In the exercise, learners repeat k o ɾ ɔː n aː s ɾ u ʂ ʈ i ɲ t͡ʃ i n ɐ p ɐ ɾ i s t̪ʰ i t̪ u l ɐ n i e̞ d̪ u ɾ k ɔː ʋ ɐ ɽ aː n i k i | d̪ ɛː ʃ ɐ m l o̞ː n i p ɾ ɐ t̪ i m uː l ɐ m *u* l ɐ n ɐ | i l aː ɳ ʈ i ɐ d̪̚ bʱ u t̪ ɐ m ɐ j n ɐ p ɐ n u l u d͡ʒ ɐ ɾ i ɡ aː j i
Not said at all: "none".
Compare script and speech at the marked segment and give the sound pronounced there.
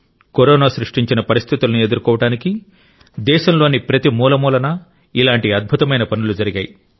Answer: uː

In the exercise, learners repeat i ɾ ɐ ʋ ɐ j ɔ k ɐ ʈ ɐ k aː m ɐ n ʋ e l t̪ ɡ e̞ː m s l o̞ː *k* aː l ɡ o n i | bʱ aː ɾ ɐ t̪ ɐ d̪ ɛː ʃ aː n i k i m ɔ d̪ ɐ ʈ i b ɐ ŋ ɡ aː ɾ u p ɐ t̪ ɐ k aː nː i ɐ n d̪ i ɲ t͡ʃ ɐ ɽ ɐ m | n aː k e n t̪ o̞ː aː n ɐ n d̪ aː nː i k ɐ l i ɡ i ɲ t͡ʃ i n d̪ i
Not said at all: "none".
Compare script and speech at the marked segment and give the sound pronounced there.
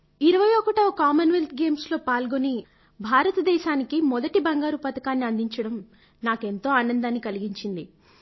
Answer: p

